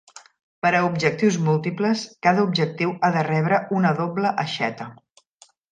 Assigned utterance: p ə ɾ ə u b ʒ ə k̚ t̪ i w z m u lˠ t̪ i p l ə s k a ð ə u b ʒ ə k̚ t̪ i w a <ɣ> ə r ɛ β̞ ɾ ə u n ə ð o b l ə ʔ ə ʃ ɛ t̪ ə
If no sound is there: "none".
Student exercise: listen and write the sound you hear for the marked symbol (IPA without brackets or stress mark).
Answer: ð